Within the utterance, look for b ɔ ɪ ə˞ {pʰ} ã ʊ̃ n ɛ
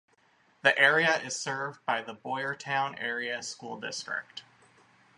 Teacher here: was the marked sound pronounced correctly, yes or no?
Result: no